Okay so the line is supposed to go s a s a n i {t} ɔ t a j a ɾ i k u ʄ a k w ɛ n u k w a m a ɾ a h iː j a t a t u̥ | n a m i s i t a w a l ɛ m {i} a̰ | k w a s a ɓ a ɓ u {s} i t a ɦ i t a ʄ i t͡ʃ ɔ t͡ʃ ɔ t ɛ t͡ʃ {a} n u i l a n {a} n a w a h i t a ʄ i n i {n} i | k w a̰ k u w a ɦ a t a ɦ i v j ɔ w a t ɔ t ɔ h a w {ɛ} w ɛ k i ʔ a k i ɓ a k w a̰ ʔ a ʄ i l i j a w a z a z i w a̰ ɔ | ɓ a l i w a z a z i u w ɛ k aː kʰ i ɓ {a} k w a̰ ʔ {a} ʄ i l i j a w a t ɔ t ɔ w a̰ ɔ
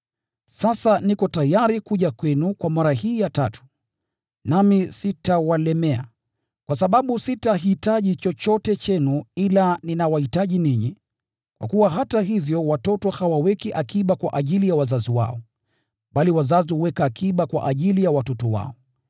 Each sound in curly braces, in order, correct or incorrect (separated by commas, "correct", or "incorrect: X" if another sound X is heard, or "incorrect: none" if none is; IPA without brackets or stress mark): incorrect: k, incorrect: ɛ, correct, incorrect: ɛ, incorrect: i, incorrect: ɲ, incorrect: a, correct, correct